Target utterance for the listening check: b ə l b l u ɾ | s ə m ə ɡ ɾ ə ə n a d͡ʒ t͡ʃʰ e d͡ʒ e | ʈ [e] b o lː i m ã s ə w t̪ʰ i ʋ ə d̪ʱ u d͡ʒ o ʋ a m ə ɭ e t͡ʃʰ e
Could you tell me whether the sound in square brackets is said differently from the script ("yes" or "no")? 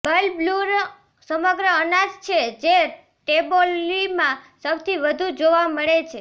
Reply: no